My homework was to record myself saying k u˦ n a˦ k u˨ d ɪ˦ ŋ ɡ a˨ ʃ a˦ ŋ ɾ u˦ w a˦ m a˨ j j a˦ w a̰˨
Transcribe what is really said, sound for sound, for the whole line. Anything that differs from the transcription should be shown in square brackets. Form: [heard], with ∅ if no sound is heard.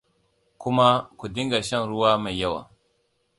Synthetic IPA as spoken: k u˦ [m] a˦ k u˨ d [i˦] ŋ ɡ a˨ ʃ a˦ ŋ ɾ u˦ w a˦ m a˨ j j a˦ w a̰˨